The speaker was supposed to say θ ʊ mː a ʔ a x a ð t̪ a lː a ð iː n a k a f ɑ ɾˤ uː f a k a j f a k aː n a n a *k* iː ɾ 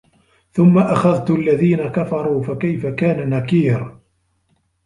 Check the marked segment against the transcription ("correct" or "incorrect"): correct